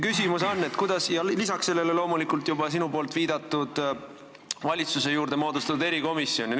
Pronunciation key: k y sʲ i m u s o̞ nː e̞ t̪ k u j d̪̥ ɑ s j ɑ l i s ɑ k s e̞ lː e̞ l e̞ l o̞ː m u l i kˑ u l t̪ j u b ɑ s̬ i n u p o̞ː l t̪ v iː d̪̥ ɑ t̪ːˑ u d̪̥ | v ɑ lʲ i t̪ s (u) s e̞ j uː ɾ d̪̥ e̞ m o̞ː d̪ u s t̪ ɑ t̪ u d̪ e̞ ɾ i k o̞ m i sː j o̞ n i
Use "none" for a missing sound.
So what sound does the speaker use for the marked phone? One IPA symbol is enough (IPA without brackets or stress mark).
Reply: u